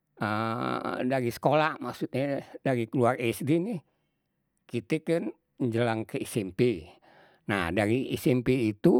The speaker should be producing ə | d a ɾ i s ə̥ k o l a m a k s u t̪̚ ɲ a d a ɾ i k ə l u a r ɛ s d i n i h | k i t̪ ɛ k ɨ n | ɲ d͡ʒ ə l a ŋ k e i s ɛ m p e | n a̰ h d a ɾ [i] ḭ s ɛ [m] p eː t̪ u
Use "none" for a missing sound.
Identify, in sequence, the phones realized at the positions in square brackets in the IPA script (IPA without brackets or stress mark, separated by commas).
i, m